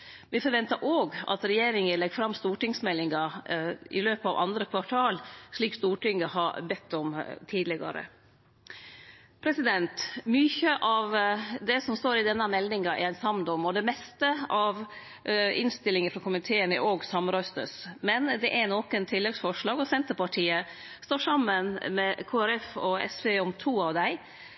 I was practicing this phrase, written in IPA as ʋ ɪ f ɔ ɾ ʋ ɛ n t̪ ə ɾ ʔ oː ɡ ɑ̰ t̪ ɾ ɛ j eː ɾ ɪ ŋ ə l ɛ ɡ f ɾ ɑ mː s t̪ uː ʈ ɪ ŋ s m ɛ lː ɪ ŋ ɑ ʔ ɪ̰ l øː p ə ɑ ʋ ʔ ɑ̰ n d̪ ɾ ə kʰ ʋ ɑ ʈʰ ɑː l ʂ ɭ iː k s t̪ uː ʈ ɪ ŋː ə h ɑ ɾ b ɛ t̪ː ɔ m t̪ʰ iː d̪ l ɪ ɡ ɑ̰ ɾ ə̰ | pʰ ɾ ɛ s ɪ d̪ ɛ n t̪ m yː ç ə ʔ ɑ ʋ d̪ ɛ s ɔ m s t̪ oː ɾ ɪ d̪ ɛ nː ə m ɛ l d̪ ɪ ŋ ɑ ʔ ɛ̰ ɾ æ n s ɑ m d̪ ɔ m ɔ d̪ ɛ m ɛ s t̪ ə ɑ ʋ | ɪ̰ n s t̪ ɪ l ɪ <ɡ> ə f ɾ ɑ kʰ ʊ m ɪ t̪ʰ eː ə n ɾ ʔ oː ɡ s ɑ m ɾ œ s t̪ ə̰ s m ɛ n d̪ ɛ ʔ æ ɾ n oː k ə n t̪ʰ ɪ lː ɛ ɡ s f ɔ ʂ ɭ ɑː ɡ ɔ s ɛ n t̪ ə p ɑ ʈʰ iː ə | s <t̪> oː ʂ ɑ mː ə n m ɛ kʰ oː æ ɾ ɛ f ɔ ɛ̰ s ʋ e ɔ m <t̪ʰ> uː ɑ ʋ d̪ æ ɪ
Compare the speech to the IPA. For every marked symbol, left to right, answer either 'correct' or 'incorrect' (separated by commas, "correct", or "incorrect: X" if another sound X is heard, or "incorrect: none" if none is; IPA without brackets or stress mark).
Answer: incorrect: ŋ, correct, correct